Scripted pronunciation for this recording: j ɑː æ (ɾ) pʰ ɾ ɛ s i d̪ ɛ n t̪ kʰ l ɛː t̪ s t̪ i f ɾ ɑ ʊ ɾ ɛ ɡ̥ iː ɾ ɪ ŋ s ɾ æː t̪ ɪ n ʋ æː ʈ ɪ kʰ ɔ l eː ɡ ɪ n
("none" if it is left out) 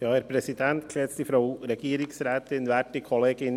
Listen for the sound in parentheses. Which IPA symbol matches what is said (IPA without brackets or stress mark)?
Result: ɾ